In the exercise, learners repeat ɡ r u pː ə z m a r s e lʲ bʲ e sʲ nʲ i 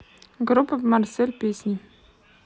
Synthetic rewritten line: ɡ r u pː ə v m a r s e lʲ pʲ e sʲ nʲ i